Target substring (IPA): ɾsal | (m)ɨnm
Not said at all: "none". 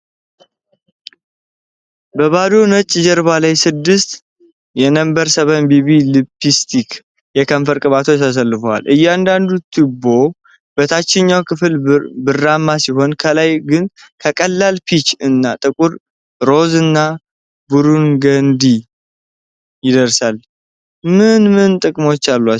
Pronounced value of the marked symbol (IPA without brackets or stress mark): m